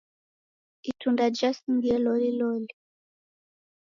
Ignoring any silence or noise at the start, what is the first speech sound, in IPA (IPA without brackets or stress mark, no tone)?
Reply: i